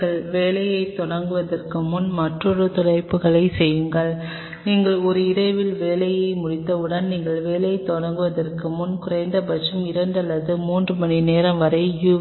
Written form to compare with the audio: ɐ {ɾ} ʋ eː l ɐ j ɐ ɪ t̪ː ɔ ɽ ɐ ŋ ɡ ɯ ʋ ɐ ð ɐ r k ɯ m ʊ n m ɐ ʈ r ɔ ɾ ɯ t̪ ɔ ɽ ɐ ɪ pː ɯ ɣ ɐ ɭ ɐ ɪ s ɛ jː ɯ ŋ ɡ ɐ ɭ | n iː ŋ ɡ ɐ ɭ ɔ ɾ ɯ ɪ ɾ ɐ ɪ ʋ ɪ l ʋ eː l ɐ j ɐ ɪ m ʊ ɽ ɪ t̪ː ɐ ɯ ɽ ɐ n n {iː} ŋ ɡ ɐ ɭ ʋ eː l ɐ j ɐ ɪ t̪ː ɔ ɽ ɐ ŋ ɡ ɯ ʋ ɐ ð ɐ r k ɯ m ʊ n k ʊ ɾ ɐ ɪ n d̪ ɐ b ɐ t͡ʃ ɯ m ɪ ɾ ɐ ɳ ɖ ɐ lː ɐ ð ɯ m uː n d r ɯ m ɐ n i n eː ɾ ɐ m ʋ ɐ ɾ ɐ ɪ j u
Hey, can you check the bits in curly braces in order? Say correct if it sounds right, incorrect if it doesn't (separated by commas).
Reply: incorrect, correct